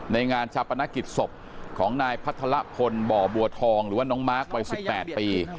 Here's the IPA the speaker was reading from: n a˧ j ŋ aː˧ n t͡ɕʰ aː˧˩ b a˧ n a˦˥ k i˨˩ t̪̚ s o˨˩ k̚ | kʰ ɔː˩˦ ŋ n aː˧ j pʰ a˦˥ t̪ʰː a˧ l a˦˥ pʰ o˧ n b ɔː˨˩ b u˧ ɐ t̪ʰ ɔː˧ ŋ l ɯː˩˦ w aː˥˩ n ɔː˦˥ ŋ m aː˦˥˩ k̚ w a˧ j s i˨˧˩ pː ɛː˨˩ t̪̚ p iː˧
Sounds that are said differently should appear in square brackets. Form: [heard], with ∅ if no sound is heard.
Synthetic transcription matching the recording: n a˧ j ŋ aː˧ n t͡ɕʰ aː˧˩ [p] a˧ n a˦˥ k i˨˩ t̪̚ s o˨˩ [p̚] | kʰ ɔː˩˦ ŋ n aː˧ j pʰ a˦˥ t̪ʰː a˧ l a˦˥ pʰ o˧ n b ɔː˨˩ b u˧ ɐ t̪ʰ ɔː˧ ŋ [ɾ] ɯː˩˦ w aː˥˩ n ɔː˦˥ ŋ m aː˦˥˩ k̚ w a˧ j s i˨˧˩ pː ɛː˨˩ t̪̚ p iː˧